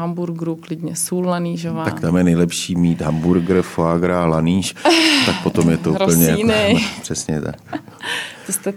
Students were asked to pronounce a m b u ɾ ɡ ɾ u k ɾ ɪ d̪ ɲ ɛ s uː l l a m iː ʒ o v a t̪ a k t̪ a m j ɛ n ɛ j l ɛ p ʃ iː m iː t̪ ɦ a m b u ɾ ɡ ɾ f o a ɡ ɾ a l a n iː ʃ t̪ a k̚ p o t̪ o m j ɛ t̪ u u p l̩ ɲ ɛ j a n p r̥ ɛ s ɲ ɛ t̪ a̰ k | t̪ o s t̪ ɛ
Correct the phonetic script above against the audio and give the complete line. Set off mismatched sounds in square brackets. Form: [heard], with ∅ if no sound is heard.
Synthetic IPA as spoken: a m b u ɾ ɡ ɾ u k [l] ɪ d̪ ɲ ɛ s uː l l a [n] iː ʒ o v a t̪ a k t̪ a m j ɛ n ɛ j l ɛ p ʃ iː m iː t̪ ɦ a m b u ɾ ɡ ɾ f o a ɡ ɾ a l a n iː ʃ t̪ a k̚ p o t̪ o m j ɛ t̪ [o] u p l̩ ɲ ɛ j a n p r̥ ɛ s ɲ ɛ t̪ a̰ k | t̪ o s t̪ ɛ